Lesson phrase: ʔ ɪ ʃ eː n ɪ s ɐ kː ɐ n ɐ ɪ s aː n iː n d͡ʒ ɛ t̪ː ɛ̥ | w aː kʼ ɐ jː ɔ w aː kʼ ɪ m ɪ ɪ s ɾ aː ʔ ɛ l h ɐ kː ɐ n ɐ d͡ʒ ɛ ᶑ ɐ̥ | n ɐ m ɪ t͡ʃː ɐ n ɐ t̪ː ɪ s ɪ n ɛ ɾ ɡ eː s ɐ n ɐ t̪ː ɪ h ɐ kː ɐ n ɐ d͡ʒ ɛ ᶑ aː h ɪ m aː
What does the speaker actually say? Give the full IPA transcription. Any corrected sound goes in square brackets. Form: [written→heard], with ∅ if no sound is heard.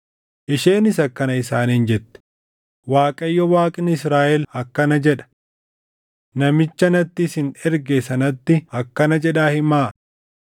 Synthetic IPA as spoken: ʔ ɪ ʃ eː n ɪ s ɐ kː ɐ n ɐ ɪ s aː n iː n d͡ʒ ɛ t̪ː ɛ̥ | w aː kʼ ɐ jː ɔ w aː kʼ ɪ [m→n] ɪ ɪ s ɾ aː ʔ ɛ l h ɐ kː ɐ n ɐ d͡ʒ ɛ ᶑ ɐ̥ | n ɐ m ɪ t͡ʃː ɐ n ɐ t̪ː ɪ s ɪ n ɛ ɾ ɡ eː s ɐ n ɐ t̪ː ɪ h ɐ kː ɐ n ɐ d͡ʒ ɛ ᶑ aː h ɪ m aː